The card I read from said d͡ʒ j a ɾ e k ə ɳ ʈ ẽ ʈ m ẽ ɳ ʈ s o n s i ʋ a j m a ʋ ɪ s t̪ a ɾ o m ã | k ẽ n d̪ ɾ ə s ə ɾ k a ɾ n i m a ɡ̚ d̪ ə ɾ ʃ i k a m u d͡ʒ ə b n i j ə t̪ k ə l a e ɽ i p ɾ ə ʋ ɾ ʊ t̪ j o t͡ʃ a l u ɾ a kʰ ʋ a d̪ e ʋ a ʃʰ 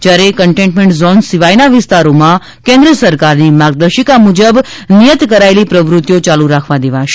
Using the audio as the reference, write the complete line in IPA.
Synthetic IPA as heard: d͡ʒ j a ɾ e k ə ɳ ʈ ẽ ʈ m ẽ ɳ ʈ z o n s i ʋ a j n a ʋ ɪ s t̪ a ɾ o m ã | k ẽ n d̪ ɾ ə s ə ɾ k a ɾ n i m a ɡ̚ d̪ ə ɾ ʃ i k a m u d͡ʒ ə b n i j ə t̪ k ə ɾ a e l i p ɾ ə ʋ ɾ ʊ t̪ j o t͡ʃ a l u ɾ a kʰ ʋ a d̪ e ʋ a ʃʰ